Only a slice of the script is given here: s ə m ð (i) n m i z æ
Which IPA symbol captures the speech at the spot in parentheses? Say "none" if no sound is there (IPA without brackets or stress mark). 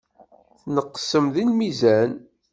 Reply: i